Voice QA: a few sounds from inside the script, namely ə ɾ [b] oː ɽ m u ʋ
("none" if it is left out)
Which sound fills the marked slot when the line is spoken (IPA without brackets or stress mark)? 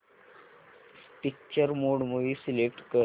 m